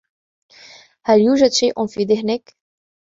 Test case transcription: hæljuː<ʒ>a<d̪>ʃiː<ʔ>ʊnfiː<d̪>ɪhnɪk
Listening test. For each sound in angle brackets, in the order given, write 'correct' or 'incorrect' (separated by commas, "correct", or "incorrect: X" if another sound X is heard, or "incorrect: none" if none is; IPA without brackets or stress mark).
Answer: correct, correct, correct, correct